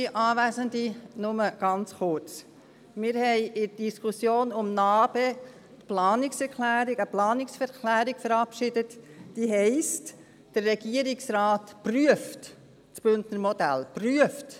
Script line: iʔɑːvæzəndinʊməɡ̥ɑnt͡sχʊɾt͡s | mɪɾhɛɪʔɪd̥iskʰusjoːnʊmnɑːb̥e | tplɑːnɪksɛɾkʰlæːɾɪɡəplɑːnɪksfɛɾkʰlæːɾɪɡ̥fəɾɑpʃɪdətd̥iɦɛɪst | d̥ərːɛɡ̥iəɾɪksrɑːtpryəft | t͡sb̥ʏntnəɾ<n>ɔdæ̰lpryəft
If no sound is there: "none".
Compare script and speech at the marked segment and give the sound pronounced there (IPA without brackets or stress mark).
m